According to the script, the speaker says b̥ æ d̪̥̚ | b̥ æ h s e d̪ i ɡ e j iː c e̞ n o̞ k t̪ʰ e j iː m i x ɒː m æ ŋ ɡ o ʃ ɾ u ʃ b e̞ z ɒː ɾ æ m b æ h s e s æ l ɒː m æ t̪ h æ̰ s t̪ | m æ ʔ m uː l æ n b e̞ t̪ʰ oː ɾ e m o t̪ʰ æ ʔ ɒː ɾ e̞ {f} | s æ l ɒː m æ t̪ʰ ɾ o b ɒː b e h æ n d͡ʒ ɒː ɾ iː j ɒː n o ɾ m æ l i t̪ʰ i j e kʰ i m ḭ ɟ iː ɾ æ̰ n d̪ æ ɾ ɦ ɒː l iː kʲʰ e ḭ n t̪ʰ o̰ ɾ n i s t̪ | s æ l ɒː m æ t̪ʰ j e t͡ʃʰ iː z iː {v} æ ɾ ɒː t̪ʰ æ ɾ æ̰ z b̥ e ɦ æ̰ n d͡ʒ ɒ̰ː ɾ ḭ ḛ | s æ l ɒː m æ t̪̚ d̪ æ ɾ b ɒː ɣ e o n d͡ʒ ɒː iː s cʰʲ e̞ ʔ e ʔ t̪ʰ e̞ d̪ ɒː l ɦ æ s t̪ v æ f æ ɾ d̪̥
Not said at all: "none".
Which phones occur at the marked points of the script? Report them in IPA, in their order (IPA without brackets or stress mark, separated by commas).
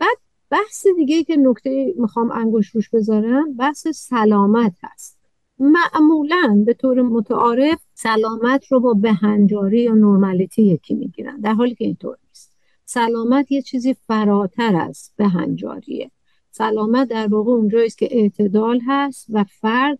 f, f